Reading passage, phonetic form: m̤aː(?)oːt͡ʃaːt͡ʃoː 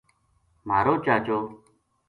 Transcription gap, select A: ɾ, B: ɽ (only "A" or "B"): A